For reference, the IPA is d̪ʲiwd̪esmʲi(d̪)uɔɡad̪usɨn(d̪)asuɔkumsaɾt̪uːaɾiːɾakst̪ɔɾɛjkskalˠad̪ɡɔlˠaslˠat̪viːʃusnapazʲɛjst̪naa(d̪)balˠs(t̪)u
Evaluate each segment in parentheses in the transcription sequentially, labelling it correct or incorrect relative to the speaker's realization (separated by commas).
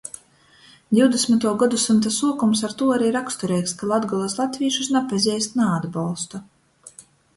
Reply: incorrect, incorrect, correct, correct